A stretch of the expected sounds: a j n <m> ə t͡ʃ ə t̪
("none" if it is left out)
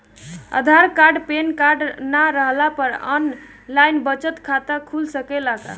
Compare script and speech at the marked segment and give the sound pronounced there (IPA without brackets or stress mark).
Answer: b